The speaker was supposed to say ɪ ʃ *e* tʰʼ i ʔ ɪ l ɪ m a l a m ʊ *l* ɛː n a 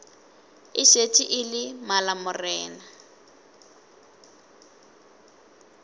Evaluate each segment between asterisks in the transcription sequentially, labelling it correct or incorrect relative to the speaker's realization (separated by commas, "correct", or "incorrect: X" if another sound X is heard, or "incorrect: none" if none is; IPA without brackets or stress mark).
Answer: correct, incorrect: r